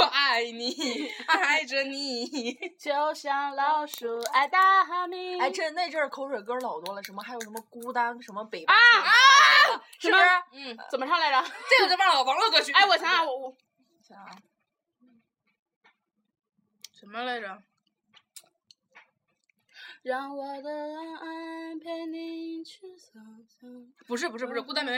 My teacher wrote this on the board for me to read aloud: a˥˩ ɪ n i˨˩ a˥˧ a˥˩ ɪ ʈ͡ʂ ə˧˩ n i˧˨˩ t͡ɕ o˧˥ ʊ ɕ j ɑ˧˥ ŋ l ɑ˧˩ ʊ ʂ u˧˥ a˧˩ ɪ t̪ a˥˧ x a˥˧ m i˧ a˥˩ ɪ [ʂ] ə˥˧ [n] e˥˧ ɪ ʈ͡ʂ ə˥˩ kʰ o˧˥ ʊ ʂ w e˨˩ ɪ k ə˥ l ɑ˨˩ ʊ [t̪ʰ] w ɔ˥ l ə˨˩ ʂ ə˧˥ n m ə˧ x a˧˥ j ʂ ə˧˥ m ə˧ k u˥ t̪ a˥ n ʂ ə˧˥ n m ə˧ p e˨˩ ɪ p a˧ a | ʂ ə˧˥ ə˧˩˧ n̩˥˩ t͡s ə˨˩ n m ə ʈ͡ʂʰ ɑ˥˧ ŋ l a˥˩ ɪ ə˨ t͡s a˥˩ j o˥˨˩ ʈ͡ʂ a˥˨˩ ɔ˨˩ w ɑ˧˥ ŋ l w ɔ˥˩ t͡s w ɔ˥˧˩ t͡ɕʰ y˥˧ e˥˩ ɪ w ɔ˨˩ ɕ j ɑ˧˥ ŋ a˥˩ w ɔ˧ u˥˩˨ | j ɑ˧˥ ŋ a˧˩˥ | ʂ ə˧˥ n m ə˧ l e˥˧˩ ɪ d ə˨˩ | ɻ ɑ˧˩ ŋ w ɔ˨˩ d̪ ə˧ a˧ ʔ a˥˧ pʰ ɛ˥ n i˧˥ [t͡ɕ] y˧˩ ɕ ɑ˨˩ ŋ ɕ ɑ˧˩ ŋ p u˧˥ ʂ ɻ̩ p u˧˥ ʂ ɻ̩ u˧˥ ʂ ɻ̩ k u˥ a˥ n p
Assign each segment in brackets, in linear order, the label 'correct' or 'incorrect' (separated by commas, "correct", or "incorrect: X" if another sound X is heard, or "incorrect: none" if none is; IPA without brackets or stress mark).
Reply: incorrect: ʈ͡ʂ, correct, incorrect: t̪, incorrect: t͡ɕʰ